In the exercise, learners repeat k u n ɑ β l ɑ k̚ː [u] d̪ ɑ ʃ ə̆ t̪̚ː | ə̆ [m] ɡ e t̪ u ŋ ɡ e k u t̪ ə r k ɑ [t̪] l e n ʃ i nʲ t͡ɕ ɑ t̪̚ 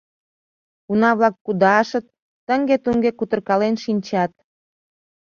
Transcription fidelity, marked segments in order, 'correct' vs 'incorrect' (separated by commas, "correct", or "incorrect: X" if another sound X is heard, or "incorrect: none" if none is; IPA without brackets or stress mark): correct, incorrect: ŋ, incorrect: none